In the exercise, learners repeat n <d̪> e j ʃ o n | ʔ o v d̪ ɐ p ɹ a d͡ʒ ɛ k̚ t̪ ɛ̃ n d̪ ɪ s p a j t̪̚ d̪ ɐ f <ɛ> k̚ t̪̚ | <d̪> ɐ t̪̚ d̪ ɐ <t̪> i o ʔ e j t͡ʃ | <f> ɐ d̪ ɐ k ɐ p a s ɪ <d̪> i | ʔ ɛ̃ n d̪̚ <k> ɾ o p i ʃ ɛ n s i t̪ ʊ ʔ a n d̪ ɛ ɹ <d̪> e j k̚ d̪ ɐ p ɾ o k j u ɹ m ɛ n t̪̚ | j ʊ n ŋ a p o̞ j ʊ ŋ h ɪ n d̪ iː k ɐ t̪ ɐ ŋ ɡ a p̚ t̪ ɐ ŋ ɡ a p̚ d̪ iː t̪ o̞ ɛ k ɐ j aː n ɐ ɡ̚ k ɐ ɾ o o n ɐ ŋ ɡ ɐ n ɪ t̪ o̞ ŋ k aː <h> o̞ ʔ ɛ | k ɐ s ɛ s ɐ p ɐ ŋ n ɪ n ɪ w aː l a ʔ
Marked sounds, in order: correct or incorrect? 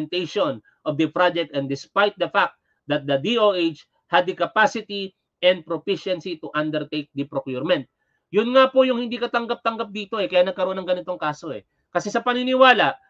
incorrect: t̪, incorrect: a, correct, incorrect: d̪, incorrect: h, incorrect: t̪, incorrect: p, incorrect: t̪, incorrect: s

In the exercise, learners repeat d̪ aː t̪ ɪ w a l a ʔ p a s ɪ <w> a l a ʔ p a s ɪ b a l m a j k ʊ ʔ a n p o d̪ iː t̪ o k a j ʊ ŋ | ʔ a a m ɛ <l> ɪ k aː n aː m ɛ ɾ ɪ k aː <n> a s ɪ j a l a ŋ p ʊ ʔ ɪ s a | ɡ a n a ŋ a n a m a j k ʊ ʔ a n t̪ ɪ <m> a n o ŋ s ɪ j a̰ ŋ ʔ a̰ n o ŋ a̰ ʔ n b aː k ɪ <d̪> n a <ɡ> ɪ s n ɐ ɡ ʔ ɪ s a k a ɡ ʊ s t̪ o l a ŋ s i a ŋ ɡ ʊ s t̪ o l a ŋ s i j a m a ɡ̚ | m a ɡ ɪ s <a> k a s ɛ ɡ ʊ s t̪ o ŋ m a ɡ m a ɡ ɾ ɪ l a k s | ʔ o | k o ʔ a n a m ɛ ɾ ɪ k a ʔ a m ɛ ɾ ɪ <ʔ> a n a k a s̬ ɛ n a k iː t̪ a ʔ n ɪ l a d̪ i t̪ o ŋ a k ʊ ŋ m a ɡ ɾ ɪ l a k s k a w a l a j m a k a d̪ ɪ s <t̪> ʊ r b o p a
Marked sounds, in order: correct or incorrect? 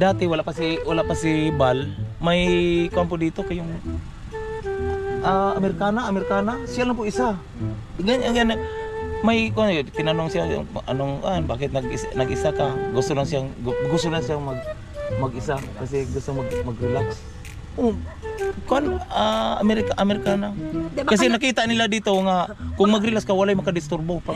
correct, incorrect: ɾ, correct, incorrect: n, incorrect: t̪, correct, correct, incorrect: k, correct

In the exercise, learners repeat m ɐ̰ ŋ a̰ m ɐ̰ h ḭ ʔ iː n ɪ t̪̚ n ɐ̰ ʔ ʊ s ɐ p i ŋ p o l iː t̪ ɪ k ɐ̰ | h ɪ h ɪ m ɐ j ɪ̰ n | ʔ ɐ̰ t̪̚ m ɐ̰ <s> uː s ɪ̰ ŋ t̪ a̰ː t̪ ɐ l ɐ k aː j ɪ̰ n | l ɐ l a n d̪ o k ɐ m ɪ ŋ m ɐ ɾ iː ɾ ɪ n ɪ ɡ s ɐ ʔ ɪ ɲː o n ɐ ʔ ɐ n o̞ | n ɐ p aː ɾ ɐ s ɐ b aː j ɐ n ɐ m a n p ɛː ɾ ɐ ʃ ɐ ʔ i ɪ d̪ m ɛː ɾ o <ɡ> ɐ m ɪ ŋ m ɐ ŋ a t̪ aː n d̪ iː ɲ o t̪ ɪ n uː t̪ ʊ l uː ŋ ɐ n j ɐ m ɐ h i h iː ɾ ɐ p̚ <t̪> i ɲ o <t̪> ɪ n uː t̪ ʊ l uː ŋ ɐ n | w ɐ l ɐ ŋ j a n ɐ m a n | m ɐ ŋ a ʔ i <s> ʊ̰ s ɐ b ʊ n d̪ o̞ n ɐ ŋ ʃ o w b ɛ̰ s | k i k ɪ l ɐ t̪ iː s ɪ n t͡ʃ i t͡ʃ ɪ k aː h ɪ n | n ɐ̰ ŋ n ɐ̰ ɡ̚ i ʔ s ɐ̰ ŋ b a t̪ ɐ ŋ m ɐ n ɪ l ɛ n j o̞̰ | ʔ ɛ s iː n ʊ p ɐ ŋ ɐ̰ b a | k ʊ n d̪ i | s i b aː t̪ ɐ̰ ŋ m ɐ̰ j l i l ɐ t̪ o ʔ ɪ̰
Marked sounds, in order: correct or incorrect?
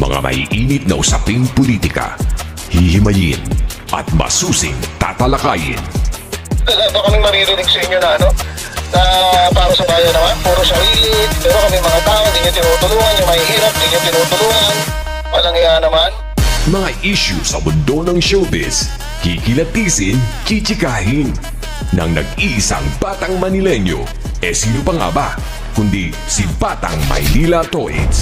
correct, incorrect: k, incorrect: d̪, correct, incorrect: ʃ

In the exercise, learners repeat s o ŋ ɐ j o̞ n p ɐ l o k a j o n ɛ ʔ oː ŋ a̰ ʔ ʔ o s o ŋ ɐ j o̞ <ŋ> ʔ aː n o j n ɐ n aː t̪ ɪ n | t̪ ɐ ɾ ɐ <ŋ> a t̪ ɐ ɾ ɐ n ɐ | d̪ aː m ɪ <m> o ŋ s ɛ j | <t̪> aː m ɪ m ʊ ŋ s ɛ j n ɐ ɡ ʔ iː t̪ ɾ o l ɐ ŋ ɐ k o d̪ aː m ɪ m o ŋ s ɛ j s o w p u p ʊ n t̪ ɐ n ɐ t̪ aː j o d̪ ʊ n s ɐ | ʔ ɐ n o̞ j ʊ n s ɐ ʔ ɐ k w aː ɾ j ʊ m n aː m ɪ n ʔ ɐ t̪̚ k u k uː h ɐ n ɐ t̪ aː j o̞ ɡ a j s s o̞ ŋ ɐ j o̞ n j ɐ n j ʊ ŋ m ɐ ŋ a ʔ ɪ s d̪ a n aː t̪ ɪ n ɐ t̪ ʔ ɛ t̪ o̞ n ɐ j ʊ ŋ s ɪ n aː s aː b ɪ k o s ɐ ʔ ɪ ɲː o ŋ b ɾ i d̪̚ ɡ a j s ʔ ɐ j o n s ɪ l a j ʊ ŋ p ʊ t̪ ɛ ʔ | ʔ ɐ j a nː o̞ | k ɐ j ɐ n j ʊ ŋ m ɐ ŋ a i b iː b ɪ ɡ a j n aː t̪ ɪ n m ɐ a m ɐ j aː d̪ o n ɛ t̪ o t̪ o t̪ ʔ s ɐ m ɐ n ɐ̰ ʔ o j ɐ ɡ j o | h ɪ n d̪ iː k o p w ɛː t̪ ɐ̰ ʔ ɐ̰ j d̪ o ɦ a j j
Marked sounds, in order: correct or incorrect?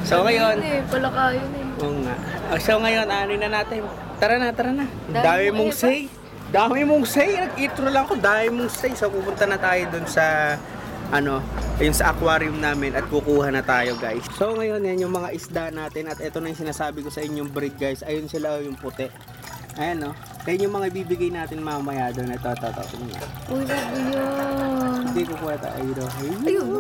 incorrect: n, incorrect: n, correct, incorrect: d̪

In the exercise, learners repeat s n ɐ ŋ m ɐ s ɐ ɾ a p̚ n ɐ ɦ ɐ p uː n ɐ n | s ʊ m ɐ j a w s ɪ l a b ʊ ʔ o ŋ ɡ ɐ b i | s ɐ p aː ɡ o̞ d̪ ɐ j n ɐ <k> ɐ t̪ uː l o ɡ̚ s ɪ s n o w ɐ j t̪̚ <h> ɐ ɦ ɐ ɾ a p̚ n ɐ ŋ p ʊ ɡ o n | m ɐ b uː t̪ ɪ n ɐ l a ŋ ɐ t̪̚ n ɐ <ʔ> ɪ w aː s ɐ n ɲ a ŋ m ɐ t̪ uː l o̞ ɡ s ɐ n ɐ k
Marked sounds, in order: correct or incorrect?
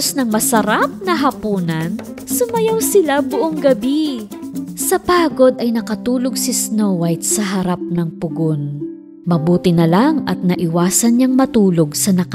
correct, incorrect: s, correct

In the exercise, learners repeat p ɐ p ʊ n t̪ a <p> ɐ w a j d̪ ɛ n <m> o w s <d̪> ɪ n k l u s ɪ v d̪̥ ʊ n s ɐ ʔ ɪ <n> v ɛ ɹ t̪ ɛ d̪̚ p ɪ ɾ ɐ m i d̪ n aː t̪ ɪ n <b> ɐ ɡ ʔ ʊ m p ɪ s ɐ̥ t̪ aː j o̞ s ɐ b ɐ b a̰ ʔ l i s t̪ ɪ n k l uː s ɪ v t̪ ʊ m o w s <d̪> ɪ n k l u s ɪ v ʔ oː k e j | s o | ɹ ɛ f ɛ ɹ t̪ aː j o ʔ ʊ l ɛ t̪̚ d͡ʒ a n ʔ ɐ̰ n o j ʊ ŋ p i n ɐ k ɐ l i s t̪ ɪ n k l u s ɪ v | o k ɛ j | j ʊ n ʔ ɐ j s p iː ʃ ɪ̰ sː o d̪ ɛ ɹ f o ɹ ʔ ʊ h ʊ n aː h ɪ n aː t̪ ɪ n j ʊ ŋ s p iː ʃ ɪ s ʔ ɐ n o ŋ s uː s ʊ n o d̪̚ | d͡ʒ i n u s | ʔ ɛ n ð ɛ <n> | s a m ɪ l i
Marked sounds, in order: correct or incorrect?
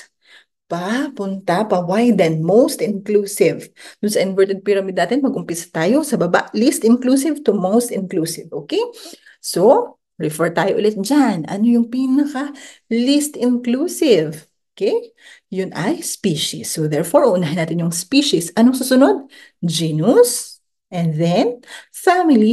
correct, correct, incorrect: t̪, correct, incorrect: m, incorrect: t̪, correct

